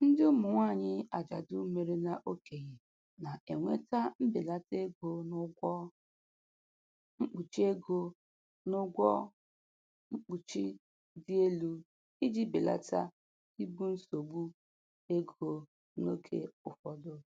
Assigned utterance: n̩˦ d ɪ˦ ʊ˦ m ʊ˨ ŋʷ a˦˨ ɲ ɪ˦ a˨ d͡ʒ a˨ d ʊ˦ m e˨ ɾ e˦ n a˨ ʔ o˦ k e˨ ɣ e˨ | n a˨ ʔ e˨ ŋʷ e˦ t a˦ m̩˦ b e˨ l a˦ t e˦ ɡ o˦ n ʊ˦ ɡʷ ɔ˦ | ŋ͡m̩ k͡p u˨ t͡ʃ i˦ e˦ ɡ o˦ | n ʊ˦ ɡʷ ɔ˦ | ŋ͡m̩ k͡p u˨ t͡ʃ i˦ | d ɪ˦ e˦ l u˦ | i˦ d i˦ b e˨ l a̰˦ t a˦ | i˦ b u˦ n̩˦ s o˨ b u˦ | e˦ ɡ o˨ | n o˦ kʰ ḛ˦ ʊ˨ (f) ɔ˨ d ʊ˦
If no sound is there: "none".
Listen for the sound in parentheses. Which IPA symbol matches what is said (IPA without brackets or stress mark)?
f